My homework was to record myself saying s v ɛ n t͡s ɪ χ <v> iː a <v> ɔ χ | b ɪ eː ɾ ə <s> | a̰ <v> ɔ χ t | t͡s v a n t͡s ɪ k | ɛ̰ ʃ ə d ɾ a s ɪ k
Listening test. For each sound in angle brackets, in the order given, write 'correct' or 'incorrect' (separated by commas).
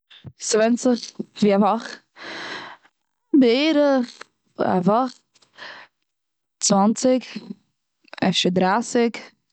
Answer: correct, correct, incorrect, correct